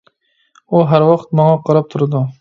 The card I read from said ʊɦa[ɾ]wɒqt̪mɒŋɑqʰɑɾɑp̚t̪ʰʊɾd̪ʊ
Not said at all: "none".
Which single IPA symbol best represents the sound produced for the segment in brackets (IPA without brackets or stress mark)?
ɾ